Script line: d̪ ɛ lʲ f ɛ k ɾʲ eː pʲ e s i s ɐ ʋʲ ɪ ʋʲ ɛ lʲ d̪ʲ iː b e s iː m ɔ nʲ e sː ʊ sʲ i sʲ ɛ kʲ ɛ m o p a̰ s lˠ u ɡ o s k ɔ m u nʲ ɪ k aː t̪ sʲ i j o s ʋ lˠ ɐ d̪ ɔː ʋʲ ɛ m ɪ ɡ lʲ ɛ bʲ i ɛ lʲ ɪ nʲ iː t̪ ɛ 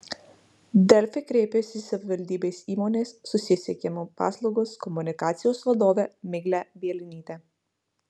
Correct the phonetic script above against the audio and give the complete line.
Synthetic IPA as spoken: d̪ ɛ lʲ f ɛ k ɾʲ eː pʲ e s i s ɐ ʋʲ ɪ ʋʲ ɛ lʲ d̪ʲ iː b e s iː m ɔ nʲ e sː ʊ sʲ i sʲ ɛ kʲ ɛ m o p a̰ s lˠ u ɡ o s k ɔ m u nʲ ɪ k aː t̪ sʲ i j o s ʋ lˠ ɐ d̪ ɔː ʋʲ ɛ m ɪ ɡ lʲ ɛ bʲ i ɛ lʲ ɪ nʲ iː t̪ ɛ